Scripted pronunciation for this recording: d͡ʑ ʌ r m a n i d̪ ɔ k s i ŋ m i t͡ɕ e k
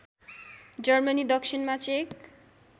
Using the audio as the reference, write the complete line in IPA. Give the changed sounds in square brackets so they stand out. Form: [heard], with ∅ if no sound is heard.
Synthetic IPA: d͡ʑ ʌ [ɾ] m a n i d̪ ɔ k [ʃ] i [n] m [a] t͡ɕ e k